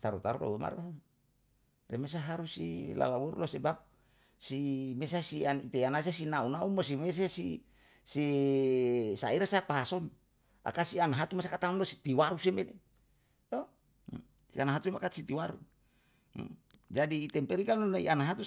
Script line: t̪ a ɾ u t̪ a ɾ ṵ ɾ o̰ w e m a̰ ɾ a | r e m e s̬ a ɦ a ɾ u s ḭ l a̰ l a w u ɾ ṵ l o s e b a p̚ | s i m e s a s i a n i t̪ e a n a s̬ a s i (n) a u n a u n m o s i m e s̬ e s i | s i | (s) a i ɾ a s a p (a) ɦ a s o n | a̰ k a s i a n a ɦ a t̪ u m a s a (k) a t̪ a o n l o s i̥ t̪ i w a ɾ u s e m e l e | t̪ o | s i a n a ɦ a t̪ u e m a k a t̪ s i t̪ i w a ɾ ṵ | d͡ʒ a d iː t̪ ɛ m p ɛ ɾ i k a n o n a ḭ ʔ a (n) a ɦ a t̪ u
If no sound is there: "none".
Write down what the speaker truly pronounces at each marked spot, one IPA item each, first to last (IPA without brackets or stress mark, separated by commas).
n, s, a, k, n